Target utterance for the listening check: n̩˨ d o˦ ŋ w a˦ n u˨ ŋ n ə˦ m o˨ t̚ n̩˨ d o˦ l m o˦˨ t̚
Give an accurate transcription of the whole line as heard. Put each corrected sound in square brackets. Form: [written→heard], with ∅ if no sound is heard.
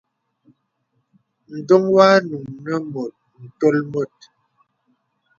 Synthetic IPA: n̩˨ d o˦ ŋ w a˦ n u˨ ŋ n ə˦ m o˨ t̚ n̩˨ [d→t] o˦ l m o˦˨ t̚